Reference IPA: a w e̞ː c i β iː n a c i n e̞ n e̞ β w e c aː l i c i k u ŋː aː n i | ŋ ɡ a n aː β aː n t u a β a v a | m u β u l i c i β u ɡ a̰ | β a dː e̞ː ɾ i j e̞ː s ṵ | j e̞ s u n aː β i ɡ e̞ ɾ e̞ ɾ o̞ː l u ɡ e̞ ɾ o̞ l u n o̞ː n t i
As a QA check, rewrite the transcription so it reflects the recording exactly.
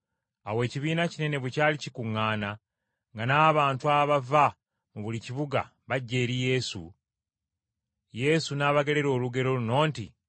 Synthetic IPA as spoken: a w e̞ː c i β iː n a c i n e̞ n e̞ β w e c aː l i c i k u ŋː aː n a | ŋ ɡ a n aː β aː n t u a β a v a | m u β u l i c i β u ɡ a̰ | β a ɟː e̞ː ɾ i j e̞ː s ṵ | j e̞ s u n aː β a ɡ e̞ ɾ e̞ ɾ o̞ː l u ɡ e̞ ɾ o̞ l u n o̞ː n t i